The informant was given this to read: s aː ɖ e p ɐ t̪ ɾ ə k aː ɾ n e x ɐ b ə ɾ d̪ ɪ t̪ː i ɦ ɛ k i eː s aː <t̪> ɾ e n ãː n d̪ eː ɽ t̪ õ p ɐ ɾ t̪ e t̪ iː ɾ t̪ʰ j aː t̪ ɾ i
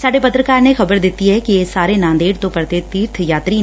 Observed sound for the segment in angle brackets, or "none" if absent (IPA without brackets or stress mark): none